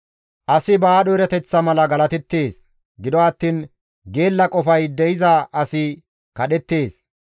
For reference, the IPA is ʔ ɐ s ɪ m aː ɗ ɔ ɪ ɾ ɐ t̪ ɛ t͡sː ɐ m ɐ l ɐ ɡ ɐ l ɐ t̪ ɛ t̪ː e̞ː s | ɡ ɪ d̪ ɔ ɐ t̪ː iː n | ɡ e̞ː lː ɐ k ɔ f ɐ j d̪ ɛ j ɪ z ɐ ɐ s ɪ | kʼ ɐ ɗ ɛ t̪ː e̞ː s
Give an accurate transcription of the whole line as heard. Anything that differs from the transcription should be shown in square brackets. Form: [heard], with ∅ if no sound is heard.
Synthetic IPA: ʔ ɐ s ɪ [b] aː ɗ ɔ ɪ ɾ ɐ t̪ ɛ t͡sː ɐ m ɐ l ɐ ɡ ɐ l ɐ t̪ ɛ t̪ː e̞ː s | ɡ ɪ d̪ ɔ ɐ t̪ː iː n | ɡ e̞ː lː ɐ [kʼ] ɔ f ɐ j d̪ ɛ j ɪ z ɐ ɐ s ɪ | [k] ɐ ɗ ɛ t̪ː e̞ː s